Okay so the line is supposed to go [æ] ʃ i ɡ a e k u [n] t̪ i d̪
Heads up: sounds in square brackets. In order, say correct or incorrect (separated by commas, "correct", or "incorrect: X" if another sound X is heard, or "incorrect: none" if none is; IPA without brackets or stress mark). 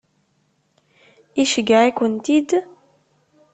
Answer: incorrect: i, correct